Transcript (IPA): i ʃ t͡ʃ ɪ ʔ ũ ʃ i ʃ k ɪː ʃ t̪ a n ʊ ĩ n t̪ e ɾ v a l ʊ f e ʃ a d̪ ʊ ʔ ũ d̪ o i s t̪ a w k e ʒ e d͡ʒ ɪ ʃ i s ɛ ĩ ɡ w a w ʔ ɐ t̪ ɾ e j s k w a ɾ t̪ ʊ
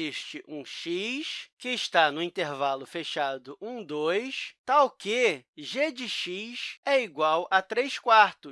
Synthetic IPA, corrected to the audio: i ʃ t͡ʃ ɪ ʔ ũ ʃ i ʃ k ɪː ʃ t̪ a n ʊ ĩ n t̪ e ɾ v a l ʊ f e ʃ a d̪ ʊ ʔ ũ d̪ o j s t̪ a w k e ʒ e d͡ʒ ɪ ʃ i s ɛ i ɡ w a w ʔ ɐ t̪ ɾ e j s k w a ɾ t̪ ʊ